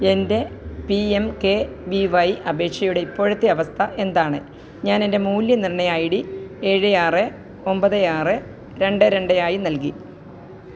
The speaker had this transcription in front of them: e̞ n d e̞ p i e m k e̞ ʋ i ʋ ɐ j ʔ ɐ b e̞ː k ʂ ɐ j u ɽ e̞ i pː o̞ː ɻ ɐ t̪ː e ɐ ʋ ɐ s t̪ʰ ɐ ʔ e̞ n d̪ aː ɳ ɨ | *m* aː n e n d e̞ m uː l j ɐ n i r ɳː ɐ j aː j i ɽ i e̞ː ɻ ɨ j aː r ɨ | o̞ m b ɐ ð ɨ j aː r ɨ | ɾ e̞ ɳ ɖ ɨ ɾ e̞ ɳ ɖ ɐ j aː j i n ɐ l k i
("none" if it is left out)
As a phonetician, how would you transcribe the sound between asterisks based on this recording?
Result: ɲ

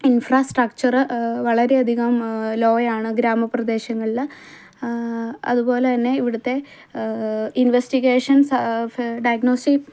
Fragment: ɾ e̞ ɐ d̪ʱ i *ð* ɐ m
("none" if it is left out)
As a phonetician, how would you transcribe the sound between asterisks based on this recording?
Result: ɣ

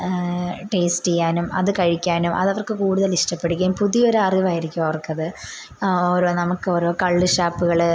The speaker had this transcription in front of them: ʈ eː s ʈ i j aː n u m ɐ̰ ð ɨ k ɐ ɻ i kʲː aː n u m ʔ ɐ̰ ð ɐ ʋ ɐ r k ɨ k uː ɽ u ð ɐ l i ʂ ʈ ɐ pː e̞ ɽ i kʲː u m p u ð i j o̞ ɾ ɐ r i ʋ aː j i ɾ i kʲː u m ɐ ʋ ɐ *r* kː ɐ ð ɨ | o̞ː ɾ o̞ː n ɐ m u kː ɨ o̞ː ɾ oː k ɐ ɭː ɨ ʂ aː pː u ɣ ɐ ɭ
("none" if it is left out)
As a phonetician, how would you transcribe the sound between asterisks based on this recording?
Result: r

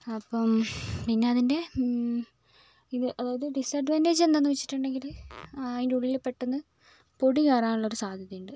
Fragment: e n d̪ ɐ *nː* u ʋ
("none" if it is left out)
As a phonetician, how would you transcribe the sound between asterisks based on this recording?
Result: nː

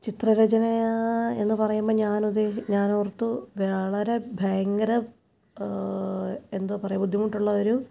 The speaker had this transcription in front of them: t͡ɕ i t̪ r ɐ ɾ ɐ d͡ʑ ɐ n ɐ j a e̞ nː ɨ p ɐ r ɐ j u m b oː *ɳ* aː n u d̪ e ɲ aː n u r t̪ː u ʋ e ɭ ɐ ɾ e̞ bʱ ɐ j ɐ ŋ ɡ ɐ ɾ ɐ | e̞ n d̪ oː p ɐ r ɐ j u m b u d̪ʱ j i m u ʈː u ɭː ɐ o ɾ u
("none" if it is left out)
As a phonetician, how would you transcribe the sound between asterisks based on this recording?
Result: ɲ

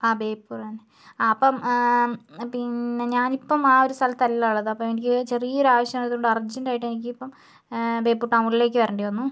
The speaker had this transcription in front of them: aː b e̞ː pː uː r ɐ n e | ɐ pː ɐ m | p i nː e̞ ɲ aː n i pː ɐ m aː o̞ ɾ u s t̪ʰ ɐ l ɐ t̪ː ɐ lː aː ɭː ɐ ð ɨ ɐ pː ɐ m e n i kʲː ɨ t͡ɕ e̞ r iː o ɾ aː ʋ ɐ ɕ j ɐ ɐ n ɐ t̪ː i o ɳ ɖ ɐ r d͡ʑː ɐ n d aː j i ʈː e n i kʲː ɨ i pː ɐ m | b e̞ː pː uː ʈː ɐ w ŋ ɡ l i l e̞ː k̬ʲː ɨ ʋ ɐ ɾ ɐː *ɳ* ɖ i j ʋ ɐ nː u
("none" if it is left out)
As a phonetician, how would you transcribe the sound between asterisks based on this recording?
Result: ɳ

